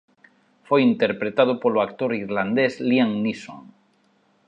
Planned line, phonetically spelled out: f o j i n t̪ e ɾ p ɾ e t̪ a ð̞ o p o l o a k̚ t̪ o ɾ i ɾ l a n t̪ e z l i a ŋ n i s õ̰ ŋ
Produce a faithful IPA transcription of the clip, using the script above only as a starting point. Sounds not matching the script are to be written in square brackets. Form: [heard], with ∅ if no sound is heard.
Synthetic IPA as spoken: f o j i n t̪ e ɾ p ɾ e t̪ a ð̞ o p o l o a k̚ t̪ o ɾ i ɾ l a n [d̪] e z l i a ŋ n i s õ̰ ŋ